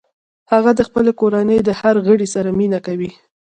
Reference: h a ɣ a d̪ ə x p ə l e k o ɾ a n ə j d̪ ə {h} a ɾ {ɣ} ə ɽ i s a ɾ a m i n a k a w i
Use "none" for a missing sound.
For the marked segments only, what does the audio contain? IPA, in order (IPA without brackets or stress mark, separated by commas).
h, ɣ